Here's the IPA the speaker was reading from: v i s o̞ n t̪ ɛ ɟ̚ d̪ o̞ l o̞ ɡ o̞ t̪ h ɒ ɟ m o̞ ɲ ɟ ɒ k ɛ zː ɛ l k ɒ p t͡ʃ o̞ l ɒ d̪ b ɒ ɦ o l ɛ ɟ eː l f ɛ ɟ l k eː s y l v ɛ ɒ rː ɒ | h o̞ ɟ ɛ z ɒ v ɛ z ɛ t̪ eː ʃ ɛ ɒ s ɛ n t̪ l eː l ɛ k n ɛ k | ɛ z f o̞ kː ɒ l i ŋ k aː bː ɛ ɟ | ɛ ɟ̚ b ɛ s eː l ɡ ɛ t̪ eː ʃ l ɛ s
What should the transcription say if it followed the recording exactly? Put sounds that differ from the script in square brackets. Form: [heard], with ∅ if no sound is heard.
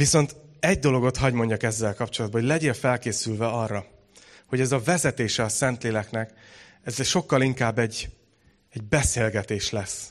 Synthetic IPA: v i s o̞ n t̪ ɛ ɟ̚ d̪ o̞ l o̞ ɡ o̞ t̪ h ɒ ɟ m o̞ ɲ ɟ ɒ k ɛ zː ɛ l k ɒ p t͡ʃ o̞ l ɒ d̪ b ɒ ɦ o l ɛ ɟ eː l f ɛ [∅] l k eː s y l v ɛ ɒ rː ɒ | h o̞ ɟ ɛ z ɒ v ɛ z ɛ t̪ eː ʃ ɛ ɒ s ɛ n t̪ l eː l ɛ k n ɛ k | ɛ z [ʃ] o̞ kː ɒ l i ŋ k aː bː ɛ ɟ | ɛ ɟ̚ b ɛ s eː l ɡ ɛ t̪ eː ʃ l ɛ s